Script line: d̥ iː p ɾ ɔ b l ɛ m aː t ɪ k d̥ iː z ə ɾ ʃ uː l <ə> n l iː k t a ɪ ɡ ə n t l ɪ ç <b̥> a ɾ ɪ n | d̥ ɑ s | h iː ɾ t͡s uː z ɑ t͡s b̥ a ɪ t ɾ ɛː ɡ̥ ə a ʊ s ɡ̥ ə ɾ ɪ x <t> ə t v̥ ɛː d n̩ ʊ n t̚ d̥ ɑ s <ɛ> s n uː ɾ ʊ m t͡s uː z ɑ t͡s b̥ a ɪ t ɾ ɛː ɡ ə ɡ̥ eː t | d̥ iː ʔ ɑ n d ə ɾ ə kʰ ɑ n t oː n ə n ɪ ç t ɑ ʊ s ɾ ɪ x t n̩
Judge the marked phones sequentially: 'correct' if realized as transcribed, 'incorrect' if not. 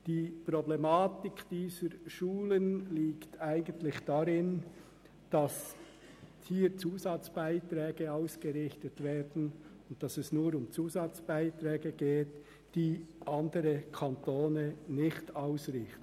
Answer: correct, incorrect: d̥, correct, correct

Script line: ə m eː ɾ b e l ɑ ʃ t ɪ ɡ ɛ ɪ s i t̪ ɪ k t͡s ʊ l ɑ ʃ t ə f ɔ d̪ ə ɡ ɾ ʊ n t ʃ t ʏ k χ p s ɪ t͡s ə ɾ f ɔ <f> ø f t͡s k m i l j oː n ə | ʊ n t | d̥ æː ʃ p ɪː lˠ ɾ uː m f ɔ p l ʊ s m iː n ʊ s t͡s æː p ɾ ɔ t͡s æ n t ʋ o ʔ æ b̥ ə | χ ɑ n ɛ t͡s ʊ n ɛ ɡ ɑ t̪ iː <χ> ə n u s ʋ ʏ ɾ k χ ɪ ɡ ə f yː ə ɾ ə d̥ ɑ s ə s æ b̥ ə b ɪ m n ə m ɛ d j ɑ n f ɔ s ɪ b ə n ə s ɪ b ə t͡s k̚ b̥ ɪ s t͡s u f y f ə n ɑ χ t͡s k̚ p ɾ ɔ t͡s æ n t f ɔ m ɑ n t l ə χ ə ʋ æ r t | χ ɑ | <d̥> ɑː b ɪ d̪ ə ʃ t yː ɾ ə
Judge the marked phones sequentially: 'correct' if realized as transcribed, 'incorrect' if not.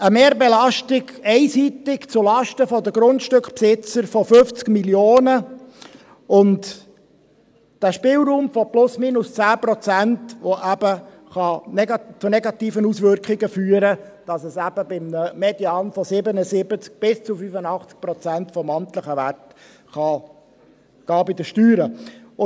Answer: correct, incorrect: f, incorrect: ɡ̥

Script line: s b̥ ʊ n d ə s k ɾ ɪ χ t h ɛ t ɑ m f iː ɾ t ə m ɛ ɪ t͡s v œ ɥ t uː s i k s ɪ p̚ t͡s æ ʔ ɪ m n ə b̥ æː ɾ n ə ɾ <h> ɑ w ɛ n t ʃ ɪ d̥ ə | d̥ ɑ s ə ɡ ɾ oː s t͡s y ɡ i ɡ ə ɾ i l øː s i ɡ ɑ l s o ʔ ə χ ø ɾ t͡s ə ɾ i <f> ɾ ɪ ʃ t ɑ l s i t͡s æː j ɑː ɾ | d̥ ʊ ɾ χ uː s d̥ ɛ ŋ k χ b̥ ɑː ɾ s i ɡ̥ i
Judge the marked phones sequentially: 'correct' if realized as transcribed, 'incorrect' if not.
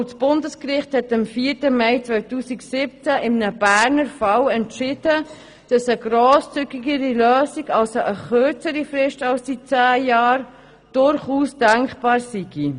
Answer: incorrect: f, correct

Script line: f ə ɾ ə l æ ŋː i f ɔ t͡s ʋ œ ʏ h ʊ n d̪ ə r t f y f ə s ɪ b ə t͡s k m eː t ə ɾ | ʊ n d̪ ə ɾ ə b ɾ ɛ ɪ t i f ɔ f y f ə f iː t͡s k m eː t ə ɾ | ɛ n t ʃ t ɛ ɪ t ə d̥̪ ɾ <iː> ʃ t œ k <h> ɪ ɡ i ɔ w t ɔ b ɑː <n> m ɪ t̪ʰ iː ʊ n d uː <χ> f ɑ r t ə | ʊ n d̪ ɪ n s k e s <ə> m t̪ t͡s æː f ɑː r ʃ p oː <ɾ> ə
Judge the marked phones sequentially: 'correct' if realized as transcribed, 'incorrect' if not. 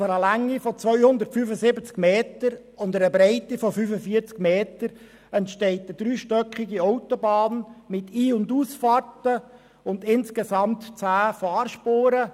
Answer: incorrect: yː, incorrect: χ, correct, incorrect: s, incorrect: ɑ, correct

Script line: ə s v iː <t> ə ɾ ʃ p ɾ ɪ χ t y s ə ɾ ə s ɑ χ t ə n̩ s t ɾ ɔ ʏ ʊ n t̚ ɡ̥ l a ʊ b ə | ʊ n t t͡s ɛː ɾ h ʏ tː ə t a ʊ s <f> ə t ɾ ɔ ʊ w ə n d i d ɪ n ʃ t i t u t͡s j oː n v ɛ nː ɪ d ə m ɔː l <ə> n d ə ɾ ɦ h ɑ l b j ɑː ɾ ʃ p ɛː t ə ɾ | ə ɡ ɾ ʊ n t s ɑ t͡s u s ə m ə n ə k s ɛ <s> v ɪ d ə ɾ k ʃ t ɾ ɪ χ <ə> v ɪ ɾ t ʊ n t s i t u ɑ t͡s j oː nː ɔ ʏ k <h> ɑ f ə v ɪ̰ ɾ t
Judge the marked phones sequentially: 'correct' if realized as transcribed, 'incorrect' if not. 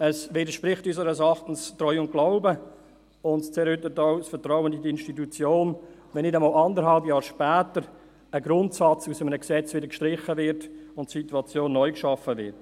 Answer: incorrect: d, correct, incorrect: ɑ, incorrect: t͡s, correct, incorrect: ʃ

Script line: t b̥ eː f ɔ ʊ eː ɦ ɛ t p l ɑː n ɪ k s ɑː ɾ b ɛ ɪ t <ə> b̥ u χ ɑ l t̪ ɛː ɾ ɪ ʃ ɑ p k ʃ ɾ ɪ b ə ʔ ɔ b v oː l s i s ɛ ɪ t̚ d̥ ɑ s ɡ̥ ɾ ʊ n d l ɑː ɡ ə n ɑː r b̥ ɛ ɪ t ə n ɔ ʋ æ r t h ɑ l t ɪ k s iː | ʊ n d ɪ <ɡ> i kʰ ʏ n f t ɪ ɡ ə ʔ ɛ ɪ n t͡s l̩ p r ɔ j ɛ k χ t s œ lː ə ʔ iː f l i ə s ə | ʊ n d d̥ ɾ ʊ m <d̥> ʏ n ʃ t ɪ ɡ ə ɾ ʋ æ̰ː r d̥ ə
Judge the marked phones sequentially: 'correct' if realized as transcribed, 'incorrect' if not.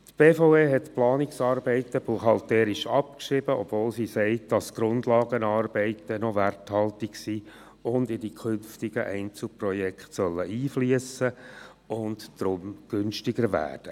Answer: correct, incorrect: d, incorrect: ɡ̥

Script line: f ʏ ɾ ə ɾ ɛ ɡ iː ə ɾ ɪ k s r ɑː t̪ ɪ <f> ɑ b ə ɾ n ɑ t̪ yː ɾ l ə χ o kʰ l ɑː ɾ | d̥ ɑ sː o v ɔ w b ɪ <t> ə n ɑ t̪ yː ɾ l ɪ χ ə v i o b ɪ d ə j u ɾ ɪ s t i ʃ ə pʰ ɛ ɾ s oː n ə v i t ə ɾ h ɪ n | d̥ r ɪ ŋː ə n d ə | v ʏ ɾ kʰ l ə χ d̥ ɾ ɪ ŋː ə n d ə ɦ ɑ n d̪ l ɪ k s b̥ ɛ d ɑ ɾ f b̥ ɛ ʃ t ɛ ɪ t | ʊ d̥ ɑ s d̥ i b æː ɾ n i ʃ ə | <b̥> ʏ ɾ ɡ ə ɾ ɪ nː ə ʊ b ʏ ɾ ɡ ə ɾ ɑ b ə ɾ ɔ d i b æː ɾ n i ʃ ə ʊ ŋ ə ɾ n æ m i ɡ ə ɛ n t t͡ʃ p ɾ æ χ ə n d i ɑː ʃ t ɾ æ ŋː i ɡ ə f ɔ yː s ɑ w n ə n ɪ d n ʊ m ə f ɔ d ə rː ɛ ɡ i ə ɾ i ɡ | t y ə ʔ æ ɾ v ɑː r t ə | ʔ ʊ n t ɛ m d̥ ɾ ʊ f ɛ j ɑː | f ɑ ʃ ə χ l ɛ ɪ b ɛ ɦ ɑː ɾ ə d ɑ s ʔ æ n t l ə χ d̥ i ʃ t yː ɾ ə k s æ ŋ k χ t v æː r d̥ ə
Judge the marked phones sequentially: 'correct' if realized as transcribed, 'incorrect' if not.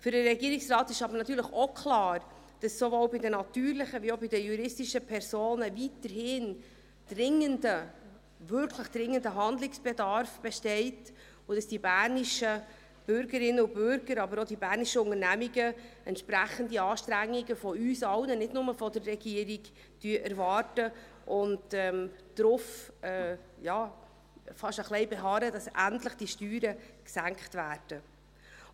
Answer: incorrect: ʃ, incorrect: d, correct

